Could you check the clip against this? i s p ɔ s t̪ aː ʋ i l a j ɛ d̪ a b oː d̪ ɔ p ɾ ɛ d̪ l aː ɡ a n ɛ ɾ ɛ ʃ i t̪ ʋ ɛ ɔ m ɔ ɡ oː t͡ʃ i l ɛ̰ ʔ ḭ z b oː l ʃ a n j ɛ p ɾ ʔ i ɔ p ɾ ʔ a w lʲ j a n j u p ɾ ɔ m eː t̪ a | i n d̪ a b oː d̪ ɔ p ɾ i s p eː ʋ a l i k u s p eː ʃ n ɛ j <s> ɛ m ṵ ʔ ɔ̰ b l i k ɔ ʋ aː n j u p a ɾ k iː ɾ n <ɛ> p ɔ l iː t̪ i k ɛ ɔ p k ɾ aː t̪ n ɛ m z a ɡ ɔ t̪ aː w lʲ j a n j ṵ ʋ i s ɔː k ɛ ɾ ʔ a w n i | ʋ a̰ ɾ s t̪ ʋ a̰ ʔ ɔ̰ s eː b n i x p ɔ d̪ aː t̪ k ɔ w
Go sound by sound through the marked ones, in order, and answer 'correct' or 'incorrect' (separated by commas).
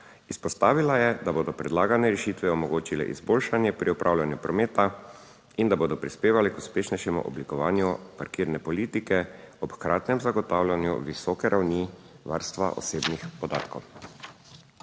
incorrect, correct